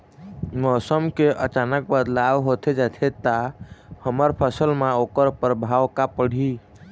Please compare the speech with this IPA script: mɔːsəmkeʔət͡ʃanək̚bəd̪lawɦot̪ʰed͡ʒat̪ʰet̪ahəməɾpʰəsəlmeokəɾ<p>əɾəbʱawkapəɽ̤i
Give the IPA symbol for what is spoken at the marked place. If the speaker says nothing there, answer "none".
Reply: p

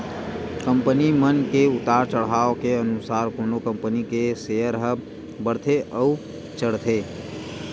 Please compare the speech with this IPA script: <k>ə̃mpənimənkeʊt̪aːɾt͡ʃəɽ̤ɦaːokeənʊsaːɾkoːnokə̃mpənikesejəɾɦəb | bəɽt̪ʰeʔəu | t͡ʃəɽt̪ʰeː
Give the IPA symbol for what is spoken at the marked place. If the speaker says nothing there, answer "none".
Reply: k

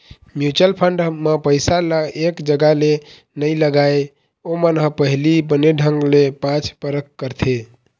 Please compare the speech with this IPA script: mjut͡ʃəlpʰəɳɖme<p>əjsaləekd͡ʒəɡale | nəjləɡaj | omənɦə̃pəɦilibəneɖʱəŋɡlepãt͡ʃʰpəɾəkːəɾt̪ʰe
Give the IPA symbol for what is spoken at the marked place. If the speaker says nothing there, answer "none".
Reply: p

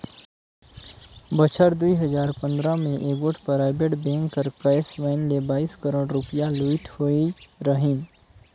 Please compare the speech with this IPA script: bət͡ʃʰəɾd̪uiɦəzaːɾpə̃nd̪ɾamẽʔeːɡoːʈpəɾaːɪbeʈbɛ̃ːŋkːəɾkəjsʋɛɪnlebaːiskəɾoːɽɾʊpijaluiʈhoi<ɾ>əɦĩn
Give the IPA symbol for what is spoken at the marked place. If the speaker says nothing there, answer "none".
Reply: ɾ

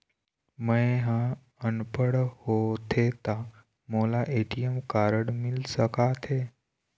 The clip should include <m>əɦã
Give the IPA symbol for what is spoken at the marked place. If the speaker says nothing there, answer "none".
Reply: m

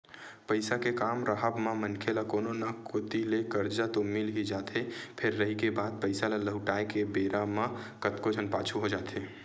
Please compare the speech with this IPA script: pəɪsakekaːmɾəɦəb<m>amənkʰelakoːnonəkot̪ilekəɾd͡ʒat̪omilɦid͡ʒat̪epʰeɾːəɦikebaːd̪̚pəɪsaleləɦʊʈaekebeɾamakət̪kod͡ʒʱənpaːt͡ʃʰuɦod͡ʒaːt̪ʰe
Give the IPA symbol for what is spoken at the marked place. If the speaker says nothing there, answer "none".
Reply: m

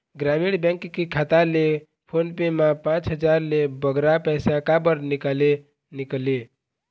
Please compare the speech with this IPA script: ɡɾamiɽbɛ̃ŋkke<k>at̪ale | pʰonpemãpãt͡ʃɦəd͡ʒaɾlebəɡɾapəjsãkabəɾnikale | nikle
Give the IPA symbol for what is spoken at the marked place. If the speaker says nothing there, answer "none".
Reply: kʰ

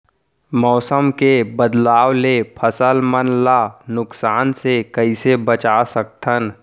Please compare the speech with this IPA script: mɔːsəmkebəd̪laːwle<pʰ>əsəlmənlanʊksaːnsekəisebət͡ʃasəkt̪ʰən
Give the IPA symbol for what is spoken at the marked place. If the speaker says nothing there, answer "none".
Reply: pʰ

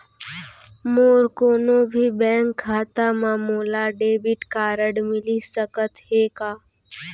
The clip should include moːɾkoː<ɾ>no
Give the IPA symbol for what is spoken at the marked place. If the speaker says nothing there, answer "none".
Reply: none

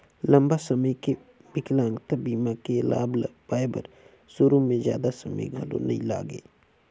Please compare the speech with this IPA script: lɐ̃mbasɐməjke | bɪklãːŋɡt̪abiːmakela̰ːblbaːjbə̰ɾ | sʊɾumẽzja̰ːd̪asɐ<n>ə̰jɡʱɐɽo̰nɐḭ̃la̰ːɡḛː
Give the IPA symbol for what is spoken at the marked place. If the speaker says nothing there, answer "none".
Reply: m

